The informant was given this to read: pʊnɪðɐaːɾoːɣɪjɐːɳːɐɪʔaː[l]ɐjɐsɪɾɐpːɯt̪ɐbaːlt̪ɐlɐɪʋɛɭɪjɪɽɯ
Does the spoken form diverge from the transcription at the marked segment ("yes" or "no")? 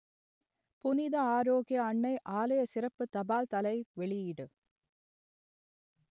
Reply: no